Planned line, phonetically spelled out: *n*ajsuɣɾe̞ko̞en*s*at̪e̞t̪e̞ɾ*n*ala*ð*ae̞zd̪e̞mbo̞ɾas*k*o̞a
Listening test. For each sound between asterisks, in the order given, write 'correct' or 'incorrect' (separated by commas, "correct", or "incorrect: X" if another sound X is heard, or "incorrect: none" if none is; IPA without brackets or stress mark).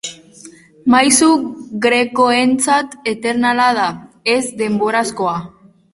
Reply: incorrect: m, incorrect: t͡s, correct, correct, correct